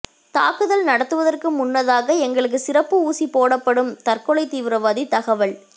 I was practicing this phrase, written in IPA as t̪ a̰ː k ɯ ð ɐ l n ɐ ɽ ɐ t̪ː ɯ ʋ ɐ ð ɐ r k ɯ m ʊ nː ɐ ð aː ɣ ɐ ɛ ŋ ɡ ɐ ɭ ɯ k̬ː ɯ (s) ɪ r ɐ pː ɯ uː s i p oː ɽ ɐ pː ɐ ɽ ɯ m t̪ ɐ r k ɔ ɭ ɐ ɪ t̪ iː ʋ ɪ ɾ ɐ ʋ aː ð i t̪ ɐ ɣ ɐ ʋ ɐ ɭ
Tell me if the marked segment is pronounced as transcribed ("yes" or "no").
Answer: yes